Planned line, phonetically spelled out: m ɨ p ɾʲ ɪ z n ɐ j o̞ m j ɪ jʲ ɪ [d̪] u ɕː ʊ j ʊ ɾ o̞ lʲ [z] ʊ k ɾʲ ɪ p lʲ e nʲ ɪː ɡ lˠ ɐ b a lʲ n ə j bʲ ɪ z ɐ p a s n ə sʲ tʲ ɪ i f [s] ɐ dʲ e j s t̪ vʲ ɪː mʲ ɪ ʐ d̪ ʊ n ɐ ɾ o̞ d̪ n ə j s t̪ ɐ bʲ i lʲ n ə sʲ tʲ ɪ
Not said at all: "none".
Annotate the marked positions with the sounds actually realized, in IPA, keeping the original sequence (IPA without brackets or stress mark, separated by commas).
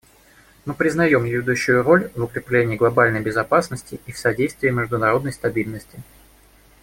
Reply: d̪, v, s